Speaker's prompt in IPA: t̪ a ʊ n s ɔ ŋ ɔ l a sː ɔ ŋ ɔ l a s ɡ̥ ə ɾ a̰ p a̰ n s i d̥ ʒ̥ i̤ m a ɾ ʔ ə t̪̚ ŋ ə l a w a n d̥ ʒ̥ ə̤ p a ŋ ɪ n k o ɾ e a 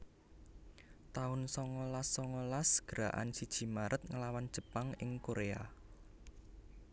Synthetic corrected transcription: t̪ a ʊ n s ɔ ŋ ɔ l a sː ɔ ŋ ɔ l a s ɡ̥ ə ɾ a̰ ʔ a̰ n s i d̥ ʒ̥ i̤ m a ɾ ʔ ə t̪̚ ŋ ə l a w a n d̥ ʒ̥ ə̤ p a ŋ ɪ ŋ k o ɾ e a